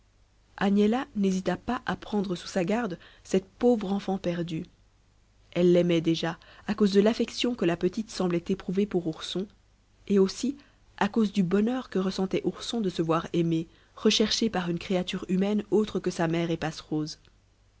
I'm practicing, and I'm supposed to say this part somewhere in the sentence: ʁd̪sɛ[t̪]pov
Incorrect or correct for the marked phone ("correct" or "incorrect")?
correct